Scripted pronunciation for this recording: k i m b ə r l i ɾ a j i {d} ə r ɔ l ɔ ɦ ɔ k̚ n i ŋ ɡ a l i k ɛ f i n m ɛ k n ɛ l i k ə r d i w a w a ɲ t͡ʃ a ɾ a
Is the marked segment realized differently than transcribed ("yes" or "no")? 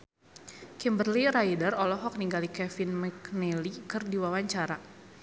no